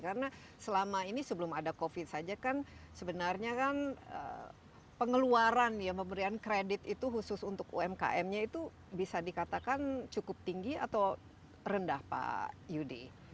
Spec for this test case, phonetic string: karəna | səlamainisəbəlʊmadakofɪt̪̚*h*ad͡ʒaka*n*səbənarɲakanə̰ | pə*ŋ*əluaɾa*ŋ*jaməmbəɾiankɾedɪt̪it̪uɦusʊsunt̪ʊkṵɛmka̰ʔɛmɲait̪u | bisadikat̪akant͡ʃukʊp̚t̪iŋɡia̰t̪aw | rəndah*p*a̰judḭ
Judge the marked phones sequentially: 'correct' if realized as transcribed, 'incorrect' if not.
incorrect, correct, correct, incorrect, correct

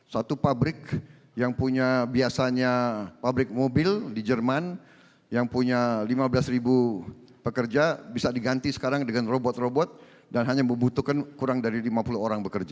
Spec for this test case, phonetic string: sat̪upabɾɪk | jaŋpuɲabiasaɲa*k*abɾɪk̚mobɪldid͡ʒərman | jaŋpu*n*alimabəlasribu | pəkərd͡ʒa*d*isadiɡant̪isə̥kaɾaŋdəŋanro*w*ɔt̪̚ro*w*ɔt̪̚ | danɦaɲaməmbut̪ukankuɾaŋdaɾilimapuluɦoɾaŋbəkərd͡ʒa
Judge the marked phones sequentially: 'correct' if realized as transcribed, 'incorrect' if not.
incorrect, incorrect, incorrect, incorrect, incorrect

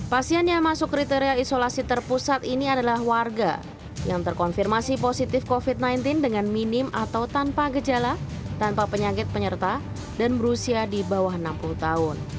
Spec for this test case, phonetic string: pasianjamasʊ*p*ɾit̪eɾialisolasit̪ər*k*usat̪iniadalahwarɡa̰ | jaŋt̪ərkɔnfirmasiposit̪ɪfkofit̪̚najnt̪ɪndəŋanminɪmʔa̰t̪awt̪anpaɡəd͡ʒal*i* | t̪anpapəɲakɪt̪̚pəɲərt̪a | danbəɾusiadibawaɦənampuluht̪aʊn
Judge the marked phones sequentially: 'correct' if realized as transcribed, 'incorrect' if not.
incorrect, incorrect, incorrect

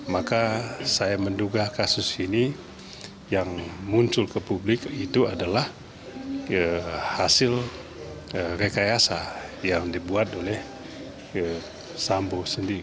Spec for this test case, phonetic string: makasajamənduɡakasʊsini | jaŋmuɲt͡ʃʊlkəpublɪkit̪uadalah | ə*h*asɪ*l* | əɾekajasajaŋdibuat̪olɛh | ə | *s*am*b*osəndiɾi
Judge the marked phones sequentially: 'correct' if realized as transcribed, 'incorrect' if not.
correct, correct, correct, correct

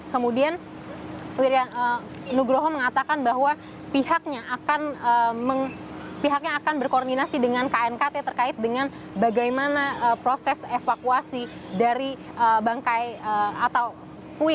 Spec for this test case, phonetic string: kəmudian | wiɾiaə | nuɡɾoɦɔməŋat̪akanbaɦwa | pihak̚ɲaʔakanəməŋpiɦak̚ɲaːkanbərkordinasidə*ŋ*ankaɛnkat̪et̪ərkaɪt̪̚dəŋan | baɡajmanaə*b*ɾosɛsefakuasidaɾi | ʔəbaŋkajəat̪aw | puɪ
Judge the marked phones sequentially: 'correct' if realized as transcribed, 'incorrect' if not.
correct, incorrect

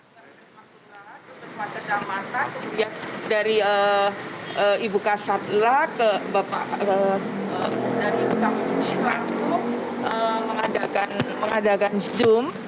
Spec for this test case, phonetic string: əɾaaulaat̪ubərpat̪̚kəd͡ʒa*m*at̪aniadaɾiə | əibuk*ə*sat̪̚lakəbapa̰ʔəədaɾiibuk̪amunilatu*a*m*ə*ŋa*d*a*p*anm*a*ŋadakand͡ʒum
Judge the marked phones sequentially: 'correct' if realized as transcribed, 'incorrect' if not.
correct, incorrect, incorrect, correct, correct, incorrect, incorrect

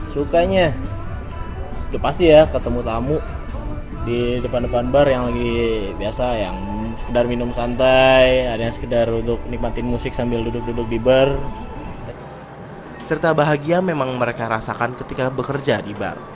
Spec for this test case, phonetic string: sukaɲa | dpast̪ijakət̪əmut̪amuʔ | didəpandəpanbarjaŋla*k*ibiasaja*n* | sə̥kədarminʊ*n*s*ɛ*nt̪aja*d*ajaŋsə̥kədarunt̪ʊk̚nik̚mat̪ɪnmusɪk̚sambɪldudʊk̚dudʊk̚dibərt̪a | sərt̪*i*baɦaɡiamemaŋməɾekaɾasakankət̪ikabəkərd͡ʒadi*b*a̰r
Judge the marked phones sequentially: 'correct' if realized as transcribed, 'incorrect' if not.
incorrect, incorrect, incorrect, incorrect, correct, incorrect, correct

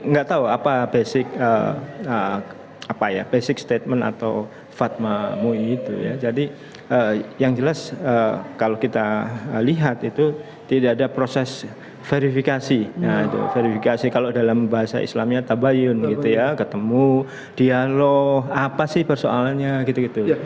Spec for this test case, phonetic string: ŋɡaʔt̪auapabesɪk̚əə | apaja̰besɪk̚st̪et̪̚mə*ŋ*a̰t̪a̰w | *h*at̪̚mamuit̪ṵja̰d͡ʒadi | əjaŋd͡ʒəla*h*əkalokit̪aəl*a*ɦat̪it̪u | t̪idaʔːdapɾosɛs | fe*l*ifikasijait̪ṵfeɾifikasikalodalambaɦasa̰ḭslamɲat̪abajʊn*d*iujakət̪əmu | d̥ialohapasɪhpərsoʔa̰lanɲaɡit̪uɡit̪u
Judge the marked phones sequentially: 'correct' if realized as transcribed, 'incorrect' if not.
incorrect, incorrect, incorrect, incorrect, incorrect, incorrect

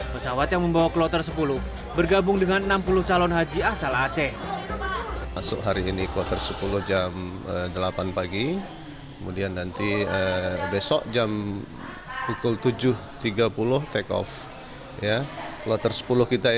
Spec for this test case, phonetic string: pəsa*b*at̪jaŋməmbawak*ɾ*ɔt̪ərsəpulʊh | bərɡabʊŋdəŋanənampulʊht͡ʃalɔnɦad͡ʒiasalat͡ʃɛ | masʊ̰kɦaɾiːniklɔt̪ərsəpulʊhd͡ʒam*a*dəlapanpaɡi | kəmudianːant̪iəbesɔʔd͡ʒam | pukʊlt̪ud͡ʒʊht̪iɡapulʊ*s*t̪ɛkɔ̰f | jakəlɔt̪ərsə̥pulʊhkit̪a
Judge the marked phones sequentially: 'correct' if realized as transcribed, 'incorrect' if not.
incorrect, incorrect, incorrect, incorrect

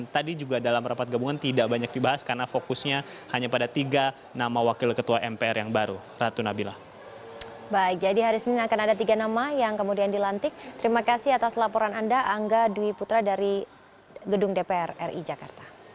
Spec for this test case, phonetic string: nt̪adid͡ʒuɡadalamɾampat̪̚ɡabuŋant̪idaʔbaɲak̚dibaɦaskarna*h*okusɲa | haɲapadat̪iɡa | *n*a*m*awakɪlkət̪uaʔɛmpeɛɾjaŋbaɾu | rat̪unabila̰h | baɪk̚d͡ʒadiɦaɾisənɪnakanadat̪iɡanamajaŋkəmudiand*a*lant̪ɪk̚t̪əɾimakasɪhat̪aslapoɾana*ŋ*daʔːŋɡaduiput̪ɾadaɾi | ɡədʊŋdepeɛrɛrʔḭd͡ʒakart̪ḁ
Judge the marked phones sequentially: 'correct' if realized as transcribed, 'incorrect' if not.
incorrect, correct, correct, incorrect, incorrect

